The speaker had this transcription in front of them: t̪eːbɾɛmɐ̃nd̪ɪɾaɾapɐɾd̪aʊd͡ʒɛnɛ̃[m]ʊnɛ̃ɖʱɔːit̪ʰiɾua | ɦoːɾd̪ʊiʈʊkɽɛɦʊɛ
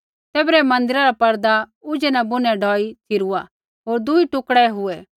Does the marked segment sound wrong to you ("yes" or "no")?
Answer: yes